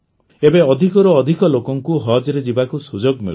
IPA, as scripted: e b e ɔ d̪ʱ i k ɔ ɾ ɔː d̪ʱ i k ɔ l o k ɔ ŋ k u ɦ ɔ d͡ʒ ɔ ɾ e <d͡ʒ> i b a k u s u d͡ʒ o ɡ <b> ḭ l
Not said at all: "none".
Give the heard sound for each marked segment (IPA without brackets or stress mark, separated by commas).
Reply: d͡ʒ, m